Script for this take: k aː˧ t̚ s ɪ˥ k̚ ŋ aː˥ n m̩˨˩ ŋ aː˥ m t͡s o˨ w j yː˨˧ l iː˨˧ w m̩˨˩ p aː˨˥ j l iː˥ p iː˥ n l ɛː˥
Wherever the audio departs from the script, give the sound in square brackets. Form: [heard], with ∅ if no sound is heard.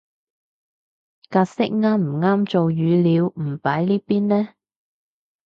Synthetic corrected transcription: k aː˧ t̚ s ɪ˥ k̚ ŋ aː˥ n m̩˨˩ ŋ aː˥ m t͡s o˨ w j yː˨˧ l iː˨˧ w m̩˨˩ p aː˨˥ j l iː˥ p iː˥ n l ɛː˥